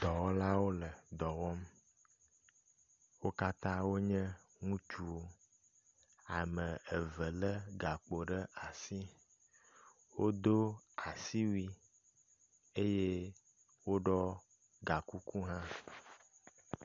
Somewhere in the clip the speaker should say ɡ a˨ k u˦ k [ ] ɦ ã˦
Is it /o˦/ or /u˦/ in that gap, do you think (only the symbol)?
u˦